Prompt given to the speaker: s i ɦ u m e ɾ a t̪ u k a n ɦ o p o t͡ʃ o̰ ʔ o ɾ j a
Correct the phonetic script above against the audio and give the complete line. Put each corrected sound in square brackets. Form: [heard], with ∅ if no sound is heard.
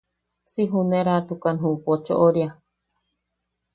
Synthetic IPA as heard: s i ɦ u [n] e ɾ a t̪ u k a n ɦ [u] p o t͡ʃ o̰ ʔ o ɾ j a